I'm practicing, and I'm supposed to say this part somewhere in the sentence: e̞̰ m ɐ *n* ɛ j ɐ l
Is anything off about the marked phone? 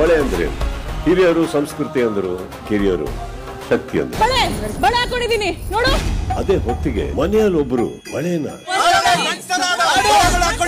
no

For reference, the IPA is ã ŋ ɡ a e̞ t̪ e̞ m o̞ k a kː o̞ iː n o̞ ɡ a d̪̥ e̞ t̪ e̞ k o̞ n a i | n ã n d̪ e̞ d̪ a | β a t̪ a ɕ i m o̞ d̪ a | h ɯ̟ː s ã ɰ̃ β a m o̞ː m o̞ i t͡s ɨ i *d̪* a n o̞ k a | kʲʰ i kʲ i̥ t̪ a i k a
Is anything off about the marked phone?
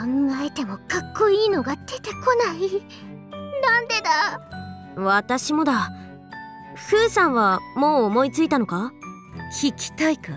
yes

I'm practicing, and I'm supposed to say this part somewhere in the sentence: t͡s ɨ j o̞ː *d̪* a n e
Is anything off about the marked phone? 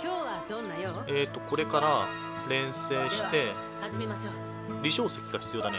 no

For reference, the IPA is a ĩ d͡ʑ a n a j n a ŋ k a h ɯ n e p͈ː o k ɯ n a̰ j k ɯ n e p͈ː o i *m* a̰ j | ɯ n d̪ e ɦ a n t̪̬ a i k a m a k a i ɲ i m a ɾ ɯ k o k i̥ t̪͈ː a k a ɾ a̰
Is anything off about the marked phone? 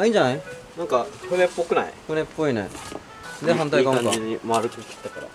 yes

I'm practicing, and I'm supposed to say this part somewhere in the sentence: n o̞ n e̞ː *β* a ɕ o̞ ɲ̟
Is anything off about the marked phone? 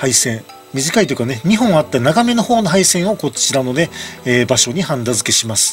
yes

